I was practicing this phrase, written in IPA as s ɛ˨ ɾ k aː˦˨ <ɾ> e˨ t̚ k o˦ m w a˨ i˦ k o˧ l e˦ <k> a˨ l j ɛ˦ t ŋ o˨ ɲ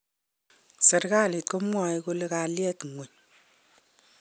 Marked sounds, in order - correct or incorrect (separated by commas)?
incorrect, correct